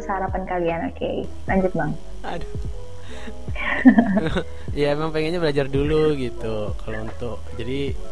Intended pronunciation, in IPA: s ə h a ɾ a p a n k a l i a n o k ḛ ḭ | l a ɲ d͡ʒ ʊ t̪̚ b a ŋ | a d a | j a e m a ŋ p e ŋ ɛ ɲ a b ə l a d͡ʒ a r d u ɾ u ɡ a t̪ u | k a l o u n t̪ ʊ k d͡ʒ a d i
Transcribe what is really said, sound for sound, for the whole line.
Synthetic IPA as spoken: s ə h a ɾ a p a n k a l i a n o k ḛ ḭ | l a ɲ d͡ʒ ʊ t̪̚ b a ŋ | a d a | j a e m a ŋ p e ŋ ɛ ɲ a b ə l a d͡ʒ a r d u l u ɡ i t̪ u | k a l o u n t̪ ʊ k d͡ʒ a d i